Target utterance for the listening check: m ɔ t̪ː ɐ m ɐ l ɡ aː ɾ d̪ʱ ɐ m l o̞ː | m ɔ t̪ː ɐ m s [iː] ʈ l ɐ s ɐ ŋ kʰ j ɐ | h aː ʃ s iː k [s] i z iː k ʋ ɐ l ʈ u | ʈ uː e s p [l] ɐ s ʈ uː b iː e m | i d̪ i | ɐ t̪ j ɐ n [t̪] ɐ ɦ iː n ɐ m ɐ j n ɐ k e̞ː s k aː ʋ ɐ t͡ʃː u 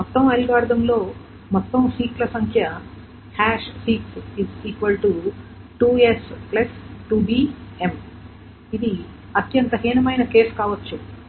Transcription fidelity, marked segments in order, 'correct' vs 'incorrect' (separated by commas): correct, correct, correct, correct